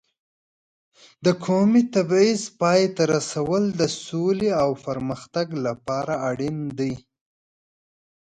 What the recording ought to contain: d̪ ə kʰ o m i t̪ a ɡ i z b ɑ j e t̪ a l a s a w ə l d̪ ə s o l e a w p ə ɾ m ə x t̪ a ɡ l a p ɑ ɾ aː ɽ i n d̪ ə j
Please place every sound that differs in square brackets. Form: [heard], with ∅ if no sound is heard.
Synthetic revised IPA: d̪ ə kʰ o m i t̪ a [b] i z [p] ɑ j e t̪ a [ɾ] a s a w ə l d̪ ə s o l e a w p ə ɾ m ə x t̪ a ɡ l a p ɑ ɾ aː ɽ i n d̪ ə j

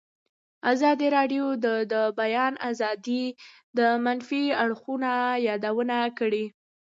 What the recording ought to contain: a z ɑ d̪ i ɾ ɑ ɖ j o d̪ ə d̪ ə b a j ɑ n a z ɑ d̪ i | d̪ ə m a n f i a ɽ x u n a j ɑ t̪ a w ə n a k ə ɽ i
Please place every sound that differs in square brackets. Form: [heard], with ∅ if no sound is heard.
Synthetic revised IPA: a z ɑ d̪ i ɾ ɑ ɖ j o d̪ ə d̪ ə b a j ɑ n a z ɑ d̪ i | d̪ ə m a n f i a ɽ x u n a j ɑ [d̪] a w ə n a k ə ɽ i

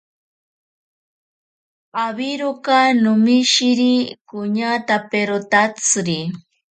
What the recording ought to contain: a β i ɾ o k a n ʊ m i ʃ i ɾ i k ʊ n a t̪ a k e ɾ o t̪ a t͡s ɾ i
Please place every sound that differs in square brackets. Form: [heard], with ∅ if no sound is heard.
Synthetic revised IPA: a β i ɾ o k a n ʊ m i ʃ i ɾ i k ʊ [ɲ] a t̪ a [p] e ɾ o t̪ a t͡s ɾ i

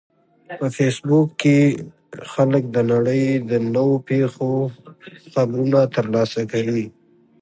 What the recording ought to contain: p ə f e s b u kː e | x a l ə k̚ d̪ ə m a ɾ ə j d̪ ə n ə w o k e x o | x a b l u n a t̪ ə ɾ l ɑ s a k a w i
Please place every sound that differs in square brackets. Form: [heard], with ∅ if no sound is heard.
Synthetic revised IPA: p ə f e s b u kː e | x a l ə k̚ d̪ ə [n] a [ɽ] ə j d̪ ə n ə w o [p] e x o | x a b [ɾ] u n a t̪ ə ɾ l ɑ s a k a w i

